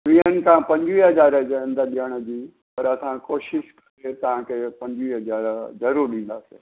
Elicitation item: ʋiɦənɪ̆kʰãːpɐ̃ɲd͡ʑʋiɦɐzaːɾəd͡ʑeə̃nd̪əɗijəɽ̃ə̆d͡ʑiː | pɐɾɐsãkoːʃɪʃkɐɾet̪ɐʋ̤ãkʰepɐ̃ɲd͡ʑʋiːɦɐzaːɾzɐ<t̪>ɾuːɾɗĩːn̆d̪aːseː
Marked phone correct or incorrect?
incorrect